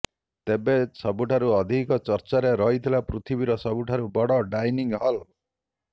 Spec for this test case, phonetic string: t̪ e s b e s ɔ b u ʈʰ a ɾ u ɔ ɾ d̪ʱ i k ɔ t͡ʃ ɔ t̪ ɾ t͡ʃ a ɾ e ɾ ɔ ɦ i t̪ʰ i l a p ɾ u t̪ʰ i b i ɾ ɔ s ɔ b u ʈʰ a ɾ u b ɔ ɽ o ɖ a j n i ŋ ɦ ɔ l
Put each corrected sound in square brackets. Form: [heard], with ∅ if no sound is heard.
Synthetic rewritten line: t̪ e [∅] b e s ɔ b u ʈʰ a ɾ u ɔ [∅] d̪ʱ i k ɔ t͡ʃ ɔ [∅] ɾ t͡ʃ a ɾ e ɾ ɔ ɦ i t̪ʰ i l a p ɾ u t̪ʰ i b i ɾ ɔ s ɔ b u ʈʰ a ɾ u b ɔ ɽ [ɔ] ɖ a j n i ŋ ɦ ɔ l